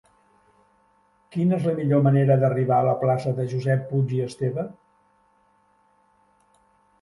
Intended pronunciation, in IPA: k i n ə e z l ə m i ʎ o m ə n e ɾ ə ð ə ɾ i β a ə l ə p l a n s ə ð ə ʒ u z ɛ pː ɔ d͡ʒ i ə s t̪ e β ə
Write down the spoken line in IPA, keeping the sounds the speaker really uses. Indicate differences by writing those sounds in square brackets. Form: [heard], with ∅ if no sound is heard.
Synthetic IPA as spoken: k i n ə e z l ə m i ʎ o m ə n e ɾ ə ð ə [r] i β a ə l ə p l a [∅] s ə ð ə ʒ u z ɛ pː [u] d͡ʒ i ə s t̪ e β ə